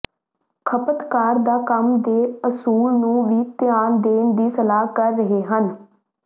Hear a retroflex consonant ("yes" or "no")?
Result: no